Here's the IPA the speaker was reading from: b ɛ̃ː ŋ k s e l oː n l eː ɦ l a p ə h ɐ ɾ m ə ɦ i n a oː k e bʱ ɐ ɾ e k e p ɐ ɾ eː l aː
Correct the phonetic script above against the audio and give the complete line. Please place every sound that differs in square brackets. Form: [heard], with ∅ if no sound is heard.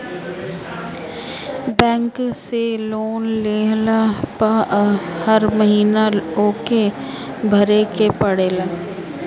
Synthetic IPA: b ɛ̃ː ŋ k s e l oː n l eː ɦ l a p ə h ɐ ɾ m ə ɦ [iː] n a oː k e bʱ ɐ ɾ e k e p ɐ [ɽ] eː l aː

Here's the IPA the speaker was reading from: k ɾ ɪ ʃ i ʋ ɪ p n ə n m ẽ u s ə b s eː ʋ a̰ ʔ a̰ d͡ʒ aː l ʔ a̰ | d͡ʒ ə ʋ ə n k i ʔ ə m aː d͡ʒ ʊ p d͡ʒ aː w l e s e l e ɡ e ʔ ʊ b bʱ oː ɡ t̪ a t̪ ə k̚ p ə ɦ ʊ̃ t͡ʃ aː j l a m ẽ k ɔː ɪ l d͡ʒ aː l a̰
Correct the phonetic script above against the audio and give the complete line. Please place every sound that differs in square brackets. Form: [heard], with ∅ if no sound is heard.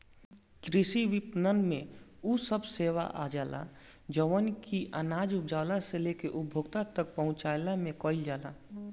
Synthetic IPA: k ɾ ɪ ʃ i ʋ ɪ p n ə n m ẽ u s ə b s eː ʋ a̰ ʔ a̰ d͡ʒ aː l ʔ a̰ | d͡ʒ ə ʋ ə n k i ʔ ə [n] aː d͡ʒ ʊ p d͡ʒ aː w l [a] s e l e [k] e ʔ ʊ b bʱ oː ɡ t̪ a t̪ ə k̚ p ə ɦ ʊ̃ t͡ʃ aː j l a m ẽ k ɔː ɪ l d͡ʒ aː l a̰

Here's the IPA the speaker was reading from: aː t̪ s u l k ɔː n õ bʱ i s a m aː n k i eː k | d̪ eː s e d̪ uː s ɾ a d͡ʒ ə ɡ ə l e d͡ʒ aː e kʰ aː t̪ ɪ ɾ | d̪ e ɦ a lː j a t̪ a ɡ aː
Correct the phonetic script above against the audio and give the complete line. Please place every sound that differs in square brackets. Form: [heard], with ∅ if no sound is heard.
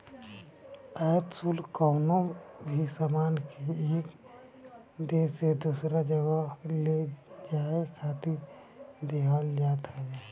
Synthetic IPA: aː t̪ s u l k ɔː n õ bʱ i s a m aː n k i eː k | d̪ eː s e d̪ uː s ɾ a d͡ʒ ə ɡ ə l e d͡ʒ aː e kʰ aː t̪ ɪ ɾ | d̪ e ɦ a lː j a t̪ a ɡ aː

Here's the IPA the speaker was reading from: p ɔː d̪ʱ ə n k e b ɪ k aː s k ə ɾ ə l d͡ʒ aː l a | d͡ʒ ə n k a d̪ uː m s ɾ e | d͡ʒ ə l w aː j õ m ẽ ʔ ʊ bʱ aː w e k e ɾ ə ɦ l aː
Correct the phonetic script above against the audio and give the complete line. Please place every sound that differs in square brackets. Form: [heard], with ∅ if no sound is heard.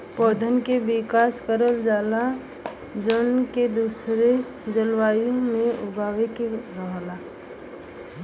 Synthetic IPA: p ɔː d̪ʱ ə n k e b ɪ k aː s k ə ɾ ə l d͡ʒ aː l a | d͡ʒ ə n k [e] d̪ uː [∅] s ɾ e | d͡ʒ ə l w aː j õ m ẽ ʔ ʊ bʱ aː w e k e ɾ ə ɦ l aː

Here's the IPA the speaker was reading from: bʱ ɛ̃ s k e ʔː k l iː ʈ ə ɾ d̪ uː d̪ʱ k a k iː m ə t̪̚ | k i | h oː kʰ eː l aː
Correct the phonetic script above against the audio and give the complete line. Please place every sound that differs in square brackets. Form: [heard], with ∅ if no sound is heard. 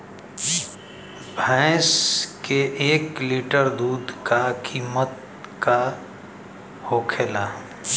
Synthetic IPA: bʱ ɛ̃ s k e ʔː k l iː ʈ ə ɾ d̪ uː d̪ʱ k a k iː m ə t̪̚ | k [a] | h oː kʰ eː l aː

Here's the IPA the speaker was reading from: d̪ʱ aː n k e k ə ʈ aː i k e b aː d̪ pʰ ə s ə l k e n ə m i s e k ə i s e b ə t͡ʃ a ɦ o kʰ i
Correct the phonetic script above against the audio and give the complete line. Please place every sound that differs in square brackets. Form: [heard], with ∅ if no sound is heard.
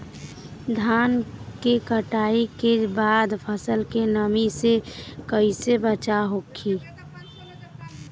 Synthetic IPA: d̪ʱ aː n k e k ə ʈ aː i k e b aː d̪ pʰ ə s ə l k e n ə m i s e k ə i s e b ə t͡ʃ a ɦ o kʰ i

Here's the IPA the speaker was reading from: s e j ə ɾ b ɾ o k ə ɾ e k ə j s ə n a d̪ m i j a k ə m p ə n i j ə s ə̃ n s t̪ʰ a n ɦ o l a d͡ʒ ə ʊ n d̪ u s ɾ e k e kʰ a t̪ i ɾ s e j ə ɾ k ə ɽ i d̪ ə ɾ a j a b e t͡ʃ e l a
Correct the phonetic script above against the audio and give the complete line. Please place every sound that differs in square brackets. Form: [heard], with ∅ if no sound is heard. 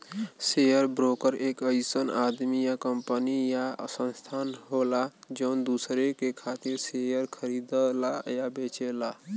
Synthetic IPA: s e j ə ɾ b ɾ o k ə ɾ e k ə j s ə n a d̪ m i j a k ə m p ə n i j [a] s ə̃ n s t̪ʰ a n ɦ o l a d͡ʒ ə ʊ n d̪ u s ɾ e k e kʰ a t̪ i ɾ s e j ə ɾ [kʰ] ə [ɾ] i d̪ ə [l] a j a b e t͡ʃ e l a

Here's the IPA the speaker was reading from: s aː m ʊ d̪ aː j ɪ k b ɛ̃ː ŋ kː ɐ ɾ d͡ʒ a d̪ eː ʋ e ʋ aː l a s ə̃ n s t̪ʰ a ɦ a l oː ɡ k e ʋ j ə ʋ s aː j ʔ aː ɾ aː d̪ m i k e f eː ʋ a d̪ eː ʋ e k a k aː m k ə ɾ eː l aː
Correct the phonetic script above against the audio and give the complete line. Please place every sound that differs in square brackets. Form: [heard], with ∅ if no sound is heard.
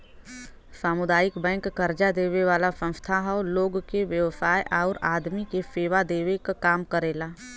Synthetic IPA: s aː m ʊ d̪ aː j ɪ k b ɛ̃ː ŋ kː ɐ ɾ d͡ʒ a d̪ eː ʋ e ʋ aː l a s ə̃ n s t̪ʰ a ɦ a l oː ɡ k e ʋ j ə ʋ s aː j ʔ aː ɾ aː d̪ m i k e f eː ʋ a d̪ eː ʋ e k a k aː m k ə ɾ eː l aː

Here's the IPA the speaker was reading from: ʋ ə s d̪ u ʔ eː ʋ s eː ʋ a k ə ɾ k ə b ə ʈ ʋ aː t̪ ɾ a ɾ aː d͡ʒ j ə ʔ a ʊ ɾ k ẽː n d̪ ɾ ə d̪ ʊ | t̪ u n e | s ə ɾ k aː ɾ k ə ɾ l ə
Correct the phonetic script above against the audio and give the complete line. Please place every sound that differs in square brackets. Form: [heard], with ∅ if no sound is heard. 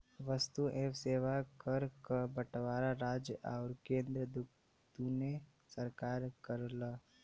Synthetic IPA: ʋ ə s [t̪] u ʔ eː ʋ s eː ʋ a k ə ɾ k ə b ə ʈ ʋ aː [∅] ɾ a ɾ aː d͡ʒ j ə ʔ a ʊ ɾ k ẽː n d̪ ɾ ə d̪ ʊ | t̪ u n e | s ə ɾ k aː ɾ k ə ɾ l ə

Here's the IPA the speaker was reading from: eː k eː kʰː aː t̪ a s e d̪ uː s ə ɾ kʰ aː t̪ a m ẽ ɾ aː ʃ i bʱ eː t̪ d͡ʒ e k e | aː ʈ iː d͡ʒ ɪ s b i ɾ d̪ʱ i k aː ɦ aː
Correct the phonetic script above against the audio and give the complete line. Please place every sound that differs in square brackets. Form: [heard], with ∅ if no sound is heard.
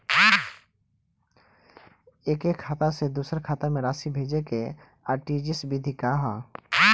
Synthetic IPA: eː k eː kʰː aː t̪ a s e d̪ uː s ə ɾ kʰ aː t̪ a m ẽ ɾ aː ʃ i bʱ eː [∅] d͡ʒ e k e | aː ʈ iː d͡ʒ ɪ s b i [∅] d̪ʱ i k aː ɦ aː

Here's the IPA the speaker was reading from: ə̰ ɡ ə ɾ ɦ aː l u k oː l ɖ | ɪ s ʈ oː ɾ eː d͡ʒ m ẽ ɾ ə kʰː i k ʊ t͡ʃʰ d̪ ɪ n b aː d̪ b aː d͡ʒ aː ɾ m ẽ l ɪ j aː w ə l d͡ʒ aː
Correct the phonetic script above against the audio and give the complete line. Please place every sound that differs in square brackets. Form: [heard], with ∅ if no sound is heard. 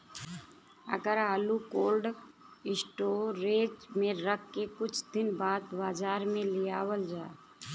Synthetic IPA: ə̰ ɡ ə ɾ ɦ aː l u k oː l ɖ | ɪ s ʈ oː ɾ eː d͡ʒ m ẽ ɾ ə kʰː [e] k ʊ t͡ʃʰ d̪ ɪ n b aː d̪ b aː d͡ʒ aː ɾ m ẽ l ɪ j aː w ə l d͡ʒ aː

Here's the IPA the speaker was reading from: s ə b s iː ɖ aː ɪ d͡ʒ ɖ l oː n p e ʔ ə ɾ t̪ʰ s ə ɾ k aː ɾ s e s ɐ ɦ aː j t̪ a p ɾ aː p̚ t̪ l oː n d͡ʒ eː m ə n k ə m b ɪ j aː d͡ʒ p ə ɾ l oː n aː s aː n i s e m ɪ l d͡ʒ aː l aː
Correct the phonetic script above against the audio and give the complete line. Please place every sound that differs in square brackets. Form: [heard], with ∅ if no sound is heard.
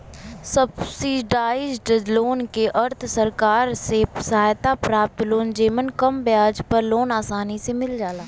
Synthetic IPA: s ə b s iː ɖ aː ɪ d͡ʒ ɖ l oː n [k] e ʔ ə ɾ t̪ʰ s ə ɾ k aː ɾ s e s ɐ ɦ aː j t̪ a p ɾ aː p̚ t̪ l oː n d͡ʒ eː m ə n k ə m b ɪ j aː d͡ʒ p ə ɾ l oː n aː s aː n i s e m ɪ l d͡ʒ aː l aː

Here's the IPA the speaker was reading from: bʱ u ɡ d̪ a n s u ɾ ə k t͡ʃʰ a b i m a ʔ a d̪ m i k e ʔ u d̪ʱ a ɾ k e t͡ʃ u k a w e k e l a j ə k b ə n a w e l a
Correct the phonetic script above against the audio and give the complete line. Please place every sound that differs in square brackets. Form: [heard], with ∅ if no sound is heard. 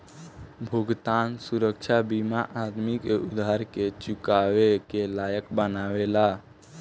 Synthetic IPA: bʱ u ɡ [t̪] a n s u ɾ ə k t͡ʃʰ a b i m a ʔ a d̪ m i k e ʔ u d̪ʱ a ɾ k e t͡ʃ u k a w e k e l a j ə k b ə n a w e l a

